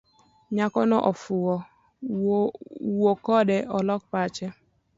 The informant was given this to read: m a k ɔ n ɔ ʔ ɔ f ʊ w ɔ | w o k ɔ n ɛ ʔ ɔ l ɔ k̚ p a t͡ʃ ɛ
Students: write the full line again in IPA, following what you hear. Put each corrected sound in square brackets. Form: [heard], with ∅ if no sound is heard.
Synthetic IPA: [ɲ] a k ɔ n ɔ ʔ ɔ f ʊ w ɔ | w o k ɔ [d] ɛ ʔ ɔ l ɔ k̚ p a t͡ʃ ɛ